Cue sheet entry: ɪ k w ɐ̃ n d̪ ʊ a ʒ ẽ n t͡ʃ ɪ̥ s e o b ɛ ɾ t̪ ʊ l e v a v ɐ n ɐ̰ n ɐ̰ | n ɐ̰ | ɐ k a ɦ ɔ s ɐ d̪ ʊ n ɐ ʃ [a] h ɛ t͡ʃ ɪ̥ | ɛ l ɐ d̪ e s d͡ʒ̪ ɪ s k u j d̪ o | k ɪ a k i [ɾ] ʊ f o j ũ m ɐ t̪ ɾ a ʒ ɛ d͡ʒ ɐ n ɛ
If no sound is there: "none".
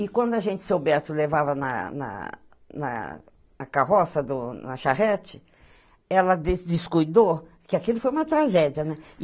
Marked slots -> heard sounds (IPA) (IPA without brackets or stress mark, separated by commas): a, l